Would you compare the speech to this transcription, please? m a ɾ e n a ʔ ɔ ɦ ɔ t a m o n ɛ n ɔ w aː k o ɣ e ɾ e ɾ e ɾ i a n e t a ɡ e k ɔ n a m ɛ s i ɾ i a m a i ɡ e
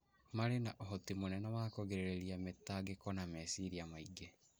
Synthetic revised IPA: m a ɾ e n a ʔ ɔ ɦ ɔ t i m o n ɛ n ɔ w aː k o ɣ e ɾ e ɾ e ɾ i a m e t a ɡ e k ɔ n a m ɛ s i ɾ i a m a i ɡ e